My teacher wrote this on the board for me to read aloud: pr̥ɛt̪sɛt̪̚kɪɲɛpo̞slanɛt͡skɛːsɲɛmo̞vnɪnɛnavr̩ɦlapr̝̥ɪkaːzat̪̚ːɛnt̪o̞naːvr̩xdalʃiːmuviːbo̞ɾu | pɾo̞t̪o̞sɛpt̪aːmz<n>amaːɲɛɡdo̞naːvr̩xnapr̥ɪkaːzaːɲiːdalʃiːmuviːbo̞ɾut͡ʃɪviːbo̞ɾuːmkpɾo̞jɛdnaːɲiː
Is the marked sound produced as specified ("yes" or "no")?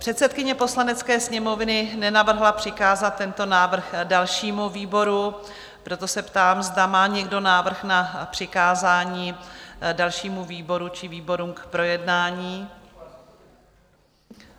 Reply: no